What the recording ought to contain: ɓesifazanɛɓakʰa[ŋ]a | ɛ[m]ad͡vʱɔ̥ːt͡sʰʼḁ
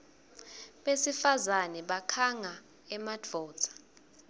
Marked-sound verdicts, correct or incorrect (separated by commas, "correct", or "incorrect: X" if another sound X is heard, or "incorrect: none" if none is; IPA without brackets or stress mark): correct, correct